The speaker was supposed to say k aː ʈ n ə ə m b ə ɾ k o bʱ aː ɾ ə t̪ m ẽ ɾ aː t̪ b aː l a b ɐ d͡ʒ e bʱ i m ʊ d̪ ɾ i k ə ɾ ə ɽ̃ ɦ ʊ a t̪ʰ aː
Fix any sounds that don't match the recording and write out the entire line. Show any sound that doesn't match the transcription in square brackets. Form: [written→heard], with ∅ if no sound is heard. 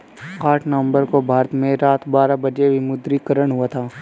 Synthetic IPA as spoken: k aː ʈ n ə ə m b ə ɾ k o bʱ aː ɾ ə t̪ m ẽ ɾ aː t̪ b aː [l→ɾ] a b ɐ d͡ʒ e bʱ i m ʊ d̪ ɾ i k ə ɾ ə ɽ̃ ɦ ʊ a t̪ʰ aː

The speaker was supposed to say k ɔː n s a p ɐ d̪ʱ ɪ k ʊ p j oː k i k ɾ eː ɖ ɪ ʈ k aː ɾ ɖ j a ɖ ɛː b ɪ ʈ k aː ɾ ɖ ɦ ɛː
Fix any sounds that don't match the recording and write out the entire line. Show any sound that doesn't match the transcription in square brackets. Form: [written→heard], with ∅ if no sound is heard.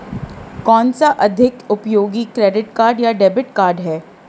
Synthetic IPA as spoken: k ɔː n s a [p→ʔ] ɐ d̪ʱ ɪ k ʊ p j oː [k→ɡ] i k ɾ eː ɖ ɪ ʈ k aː ɾ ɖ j a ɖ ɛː b ɪ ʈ k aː ɾ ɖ ɦ ɛː

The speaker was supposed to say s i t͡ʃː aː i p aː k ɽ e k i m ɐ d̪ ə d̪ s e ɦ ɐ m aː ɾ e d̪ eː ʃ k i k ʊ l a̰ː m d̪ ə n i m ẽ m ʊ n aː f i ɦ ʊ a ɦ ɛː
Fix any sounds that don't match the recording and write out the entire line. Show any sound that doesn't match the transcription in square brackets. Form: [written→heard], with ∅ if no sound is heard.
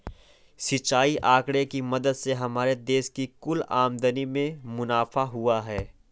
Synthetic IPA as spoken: s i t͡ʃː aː i [p→ʔ] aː k ɽ e k i m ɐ d̪ ə d̪ s e ɦ ɐ m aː ɾ e d̪ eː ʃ k i k ʊ l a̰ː m d̪ ə n i m ẽ m ʊ n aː f [i→a] ɦ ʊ a ɦ ɛː

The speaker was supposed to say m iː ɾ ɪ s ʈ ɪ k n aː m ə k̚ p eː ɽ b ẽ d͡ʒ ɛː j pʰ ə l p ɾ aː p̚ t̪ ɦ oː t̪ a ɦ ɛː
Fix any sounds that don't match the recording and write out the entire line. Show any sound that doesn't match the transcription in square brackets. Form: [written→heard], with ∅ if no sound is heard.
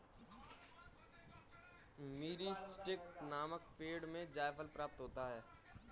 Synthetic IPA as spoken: m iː ɾ [ɪ→i] s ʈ ɪ k n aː m ə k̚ p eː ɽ [b→m] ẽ d͡ʒ [ɛː→aː] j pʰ ə l p ɾ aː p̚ t̪ ɦ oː t̪ a ɦ ɛː

